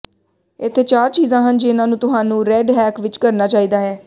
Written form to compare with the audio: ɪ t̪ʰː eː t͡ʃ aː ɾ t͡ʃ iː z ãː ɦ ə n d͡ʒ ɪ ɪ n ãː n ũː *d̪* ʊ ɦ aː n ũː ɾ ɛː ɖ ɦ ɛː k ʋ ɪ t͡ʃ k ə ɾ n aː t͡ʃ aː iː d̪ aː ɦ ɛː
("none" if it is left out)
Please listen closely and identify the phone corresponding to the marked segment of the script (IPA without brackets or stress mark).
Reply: t̪